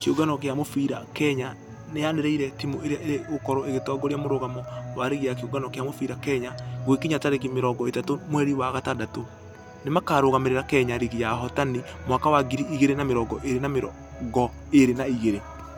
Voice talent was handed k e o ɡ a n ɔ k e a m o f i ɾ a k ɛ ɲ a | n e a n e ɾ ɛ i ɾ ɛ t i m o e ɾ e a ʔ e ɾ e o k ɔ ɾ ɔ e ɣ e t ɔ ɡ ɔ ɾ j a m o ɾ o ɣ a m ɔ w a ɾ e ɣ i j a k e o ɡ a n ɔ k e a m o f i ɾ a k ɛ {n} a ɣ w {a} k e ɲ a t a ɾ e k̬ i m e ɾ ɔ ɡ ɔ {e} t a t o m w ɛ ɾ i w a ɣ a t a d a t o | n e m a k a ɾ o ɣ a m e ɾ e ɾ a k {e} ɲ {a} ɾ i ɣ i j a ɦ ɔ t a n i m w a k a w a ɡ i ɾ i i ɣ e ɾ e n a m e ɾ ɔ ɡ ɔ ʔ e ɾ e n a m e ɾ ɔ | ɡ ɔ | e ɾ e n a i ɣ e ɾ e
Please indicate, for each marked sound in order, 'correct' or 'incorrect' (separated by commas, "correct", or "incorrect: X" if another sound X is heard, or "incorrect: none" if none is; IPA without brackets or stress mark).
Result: incorrect: ɲ, incorrect: e, correct, incorrect: ɛ, correct